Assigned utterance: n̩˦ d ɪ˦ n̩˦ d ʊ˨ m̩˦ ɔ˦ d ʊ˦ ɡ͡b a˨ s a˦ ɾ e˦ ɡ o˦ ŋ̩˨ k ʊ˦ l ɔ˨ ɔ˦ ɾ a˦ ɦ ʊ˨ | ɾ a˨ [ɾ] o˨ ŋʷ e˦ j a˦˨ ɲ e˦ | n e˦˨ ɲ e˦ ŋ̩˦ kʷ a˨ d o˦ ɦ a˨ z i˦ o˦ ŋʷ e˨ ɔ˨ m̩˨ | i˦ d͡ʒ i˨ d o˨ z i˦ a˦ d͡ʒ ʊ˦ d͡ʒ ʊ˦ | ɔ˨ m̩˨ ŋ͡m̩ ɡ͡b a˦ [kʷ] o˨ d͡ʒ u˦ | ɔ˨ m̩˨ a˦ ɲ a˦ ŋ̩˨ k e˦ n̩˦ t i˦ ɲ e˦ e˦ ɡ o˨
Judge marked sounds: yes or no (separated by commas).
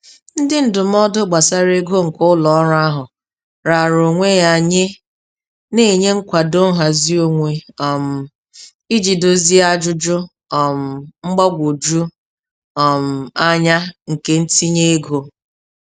yes, no